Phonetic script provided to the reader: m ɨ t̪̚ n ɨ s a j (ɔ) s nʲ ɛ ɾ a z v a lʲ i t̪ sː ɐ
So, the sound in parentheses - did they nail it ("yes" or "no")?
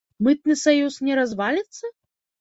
no